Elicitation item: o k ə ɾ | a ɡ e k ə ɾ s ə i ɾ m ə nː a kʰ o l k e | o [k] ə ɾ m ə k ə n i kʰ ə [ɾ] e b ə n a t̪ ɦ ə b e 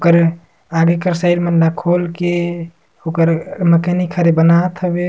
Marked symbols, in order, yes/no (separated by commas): yes, yes